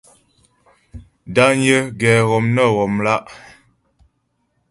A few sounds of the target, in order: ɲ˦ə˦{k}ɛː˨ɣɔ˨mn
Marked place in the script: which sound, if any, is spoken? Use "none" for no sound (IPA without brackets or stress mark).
ɡ